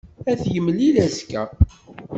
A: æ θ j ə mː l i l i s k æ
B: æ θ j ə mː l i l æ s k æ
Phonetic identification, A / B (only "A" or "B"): B